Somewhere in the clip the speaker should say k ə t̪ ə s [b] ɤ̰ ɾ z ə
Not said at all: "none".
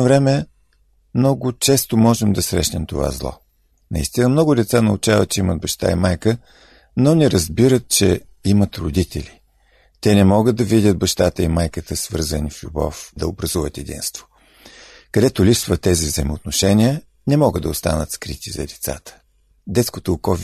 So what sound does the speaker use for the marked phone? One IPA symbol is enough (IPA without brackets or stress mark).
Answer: v